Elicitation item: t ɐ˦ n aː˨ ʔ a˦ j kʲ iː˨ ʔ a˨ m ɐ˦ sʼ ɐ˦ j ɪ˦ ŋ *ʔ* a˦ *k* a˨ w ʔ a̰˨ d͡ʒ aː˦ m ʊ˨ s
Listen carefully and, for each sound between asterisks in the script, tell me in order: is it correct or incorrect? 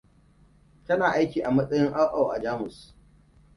correct, incorrect: ʔ

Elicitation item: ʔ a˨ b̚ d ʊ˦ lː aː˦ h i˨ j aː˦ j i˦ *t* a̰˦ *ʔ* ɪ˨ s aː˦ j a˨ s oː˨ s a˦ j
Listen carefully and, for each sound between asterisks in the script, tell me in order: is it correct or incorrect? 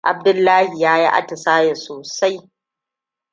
incorrect: ʔ, incorrect: t

